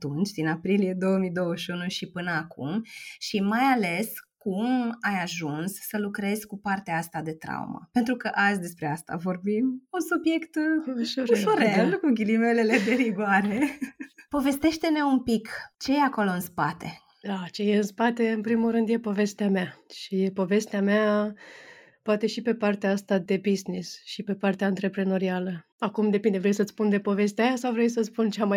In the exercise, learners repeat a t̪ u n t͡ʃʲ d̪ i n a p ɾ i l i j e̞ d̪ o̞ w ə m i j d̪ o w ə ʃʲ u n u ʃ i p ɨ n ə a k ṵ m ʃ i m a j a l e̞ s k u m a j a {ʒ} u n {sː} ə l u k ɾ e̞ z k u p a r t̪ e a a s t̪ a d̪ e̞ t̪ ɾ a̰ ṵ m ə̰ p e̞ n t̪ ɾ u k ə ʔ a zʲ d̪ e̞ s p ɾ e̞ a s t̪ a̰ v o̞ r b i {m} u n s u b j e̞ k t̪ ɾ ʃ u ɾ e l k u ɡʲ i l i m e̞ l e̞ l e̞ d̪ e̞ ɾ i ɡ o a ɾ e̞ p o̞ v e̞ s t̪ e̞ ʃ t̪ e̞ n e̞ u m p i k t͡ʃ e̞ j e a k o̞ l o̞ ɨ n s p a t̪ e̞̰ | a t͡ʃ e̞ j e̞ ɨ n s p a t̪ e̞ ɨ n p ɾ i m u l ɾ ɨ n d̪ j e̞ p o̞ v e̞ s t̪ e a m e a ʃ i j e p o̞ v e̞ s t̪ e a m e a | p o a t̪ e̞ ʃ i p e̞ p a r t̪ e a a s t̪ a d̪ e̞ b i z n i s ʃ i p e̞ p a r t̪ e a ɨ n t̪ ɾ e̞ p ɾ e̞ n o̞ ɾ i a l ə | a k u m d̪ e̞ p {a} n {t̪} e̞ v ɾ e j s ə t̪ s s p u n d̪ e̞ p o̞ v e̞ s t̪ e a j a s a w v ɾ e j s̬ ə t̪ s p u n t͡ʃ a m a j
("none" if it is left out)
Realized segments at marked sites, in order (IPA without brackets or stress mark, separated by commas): ʒ, sː, m, i, d̪